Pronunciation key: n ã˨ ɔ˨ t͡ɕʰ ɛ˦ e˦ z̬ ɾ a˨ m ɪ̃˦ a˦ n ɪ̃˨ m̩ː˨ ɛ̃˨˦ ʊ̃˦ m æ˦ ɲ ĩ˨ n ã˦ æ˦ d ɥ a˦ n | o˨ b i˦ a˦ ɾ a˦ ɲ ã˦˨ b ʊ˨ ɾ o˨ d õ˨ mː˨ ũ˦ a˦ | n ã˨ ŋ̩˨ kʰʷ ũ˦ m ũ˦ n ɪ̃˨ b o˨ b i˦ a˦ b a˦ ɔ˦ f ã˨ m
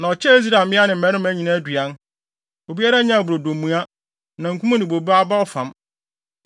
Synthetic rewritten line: n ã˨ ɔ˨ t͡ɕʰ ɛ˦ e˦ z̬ ɾ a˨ m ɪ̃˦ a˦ n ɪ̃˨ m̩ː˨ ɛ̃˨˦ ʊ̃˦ m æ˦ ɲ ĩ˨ n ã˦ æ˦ d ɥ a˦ n | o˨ b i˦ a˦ ɾ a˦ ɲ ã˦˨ b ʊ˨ ɾ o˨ d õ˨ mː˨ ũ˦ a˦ | n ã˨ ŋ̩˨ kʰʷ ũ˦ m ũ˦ n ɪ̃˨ b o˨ b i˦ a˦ b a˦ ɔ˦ f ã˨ m